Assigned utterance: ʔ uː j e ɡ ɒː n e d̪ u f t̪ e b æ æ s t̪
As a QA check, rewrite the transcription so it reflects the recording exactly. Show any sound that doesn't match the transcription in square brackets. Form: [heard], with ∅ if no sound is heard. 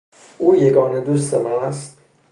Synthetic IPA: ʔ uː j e ɡ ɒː n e d̪ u [s] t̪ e [m] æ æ s t̪

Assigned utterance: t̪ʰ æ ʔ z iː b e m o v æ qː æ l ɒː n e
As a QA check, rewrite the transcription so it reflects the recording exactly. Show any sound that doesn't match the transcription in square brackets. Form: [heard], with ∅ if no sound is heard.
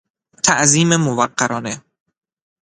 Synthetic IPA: t̪ʰ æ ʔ z iː [m] e m o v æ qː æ [ɾ] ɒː n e

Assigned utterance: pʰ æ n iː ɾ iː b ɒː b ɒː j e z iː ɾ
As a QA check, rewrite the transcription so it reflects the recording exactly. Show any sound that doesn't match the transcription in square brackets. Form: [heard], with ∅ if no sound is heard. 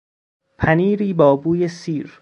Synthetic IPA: pʰ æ n iː ɾ iː b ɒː b [uː] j e [s] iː ɾ

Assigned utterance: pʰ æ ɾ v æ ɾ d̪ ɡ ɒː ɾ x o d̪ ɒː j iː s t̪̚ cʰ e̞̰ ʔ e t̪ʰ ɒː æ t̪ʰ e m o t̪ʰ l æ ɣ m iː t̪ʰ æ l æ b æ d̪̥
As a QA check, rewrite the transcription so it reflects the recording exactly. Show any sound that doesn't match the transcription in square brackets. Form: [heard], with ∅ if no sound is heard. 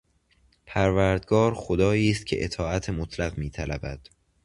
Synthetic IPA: pʰ æ ɾ v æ ɾ d̪ ɡ ɒː ɾ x o d̪ ɒː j iː s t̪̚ cʰ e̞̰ ʔ e t̪ʰ ɒː æ t̪ʰ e m o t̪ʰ l æ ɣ m iː t̪ʰ æ l æ b æ d̪̥

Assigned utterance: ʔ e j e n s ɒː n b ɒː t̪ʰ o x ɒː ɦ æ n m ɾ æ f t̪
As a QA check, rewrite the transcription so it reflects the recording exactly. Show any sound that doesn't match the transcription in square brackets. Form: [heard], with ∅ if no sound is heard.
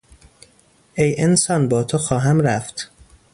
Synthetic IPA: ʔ e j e n s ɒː n b ɒː t̪ʰ o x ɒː ɦ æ [∅] m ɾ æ f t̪

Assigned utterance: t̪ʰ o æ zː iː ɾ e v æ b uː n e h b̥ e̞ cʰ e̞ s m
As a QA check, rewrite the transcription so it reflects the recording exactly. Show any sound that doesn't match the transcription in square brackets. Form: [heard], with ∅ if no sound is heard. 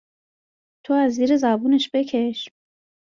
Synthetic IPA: t̪ʰ o æ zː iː ɾ e [z] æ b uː n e [ʃ] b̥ e̞ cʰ e̞ [ʃ] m

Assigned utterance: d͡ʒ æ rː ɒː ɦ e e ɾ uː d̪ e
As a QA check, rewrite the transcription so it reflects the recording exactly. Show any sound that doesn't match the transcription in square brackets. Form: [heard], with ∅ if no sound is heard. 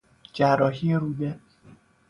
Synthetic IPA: d͡ʒ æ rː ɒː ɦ [i] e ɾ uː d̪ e

